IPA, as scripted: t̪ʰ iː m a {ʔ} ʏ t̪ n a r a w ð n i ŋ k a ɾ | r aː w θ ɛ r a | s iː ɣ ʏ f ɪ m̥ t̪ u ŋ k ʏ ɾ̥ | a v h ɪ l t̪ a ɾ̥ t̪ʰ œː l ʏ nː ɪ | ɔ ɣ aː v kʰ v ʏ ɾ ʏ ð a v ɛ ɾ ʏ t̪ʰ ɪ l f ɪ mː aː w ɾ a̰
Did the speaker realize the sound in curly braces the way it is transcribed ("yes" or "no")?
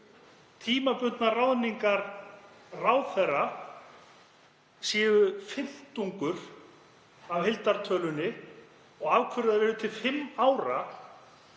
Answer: no